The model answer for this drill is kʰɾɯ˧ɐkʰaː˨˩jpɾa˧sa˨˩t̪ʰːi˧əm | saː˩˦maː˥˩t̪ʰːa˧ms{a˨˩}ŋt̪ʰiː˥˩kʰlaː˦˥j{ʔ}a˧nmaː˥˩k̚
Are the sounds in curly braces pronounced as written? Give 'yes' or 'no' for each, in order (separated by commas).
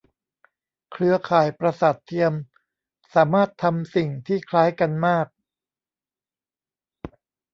no, no